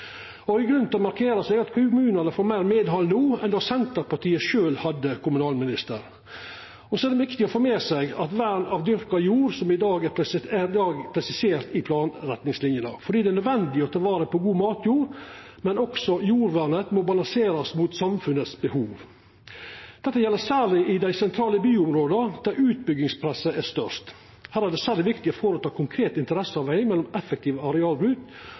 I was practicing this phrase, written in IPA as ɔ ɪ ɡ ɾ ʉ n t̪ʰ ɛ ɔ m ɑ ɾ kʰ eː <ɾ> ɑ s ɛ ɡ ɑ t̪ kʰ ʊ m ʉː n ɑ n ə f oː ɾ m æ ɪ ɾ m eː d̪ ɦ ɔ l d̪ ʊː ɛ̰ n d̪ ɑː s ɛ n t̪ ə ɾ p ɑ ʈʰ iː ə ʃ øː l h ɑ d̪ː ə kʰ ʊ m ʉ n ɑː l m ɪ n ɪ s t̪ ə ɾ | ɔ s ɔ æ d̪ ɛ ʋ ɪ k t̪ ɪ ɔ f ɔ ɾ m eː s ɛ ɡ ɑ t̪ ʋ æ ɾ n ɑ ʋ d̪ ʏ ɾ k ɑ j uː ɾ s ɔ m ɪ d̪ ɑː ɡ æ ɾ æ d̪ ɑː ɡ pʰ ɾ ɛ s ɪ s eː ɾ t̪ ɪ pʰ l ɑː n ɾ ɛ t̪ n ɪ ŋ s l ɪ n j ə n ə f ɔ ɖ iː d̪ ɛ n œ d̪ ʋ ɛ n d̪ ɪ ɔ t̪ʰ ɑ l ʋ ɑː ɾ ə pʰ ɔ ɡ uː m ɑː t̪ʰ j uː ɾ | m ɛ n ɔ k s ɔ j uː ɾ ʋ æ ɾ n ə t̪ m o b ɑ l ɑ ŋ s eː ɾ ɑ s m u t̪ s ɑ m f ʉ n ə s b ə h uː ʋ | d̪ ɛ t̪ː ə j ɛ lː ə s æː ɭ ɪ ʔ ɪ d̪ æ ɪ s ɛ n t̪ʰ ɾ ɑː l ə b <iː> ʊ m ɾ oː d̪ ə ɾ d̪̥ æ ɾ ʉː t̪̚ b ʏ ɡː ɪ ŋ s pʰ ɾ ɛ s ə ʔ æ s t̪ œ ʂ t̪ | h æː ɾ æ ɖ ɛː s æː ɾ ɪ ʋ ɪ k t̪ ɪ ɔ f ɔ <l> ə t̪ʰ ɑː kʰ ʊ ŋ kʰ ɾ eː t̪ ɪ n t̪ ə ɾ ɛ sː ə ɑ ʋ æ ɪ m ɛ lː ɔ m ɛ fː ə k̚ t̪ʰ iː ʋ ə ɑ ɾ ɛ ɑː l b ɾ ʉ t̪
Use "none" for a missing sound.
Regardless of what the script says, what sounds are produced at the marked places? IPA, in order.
ɾ, yː, ɾ

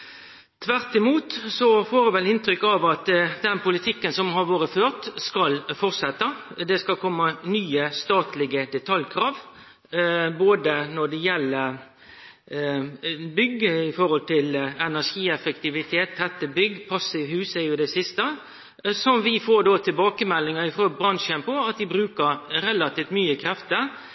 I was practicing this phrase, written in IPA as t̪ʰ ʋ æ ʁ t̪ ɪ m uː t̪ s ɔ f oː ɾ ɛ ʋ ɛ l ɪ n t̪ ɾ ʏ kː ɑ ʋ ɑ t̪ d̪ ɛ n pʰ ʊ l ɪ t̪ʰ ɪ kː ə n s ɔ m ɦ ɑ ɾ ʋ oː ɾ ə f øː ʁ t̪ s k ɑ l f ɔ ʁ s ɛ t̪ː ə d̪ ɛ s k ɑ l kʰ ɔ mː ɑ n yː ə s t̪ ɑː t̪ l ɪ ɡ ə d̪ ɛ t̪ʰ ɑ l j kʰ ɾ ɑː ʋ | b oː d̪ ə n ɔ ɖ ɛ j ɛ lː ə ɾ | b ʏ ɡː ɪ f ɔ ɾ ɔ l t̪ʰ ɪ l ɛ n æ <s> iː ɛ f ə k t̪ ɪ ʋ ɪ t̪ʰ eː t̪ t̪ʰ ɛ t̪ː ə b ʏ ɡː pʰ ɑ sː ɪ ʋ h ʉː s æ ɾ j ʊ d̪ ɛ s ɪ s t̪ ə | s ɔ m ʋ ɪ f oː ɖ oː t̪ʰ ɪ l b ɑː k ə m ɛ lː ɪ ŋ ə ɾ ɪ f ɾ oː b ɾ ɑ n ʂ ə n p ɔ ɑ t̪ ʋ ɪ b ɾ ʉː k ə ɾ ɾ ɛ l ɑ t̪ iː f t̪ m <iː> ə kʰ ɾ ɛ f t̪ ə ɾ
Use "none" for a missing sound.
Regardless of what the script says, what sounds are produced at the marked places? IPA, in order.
ʂ, yː

